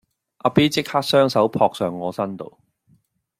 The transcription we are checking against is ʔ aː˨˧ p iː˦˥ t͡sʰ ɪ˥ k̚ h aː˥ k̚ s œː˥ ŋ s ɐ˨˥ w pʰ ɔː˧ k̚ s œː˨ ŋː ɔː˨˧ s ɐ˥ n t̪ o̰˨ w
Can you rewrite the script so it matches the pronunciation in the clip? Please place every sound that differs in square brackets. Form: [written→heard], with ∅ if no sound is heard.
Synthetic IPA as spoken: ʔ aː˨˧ p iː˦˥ [t͡sʰ→t͡s] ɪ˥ k̚ h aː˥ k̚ s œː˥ ŋ s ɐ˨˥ w pʰ ɔː˧ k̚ s œː˨ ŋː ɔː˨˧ s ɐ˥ n t̪ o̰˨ w